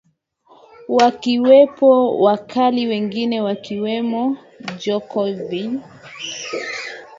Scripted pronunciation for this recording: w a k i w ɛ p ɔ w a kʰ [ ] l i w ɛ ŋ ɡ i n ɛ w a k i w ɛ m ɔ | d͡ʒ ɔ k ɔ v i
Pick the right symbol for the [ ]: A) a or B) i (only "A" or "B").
A